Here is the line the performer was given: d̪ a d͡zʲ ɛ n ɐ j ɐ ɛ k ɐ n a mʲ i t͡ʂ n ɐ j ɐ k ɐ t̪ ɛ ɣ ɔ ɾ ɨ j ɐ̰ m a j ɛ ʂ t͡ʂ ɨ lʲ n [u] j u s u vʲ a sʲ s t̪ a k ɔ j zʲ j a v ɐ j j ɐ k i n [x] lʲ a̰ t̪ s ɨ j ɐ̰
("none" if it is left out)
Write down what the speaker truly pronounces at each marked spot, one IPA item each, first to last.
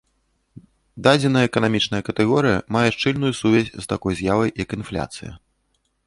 u, f

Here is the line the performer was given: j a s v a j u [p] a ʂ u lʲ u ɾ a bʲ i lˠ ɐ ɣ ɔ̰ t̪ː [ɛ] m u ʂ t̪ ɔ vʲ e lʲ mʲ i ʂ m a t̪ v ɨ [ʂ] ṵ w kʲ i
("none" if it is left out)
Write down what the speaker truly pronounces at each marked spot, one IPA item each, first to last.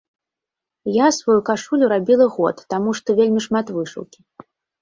k, a, ʂ

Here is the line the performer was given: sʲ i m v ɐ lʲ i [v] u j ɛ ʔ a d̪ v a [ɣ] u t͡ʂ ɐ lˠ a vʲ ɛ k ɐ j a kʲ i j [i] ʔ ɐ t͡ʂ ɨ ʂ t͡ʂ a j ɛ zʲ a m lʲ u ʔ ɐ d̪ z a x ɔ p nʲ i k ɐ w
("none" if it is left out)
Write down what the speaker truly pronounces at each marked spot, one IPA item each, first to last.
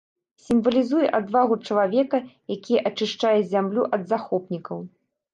z, ɣ, ɛ

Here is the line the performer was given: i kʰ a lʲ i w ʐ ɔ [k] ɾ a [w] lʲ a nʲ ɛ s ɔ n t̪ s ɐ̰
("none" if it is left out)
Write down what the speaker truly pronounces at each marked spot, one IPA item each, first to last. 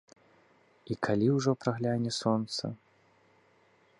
p, ɣ

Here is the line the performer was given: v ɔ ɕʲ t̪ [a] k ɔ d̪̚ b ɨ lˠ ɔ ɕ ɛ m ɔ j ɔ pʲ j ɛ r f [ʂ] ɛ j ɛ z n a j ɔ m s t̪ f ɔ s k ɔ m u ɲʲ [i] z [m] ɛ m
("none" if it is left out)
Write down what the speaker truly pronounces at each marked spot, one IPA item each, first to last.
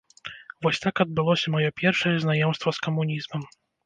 a, ʂ, i, m

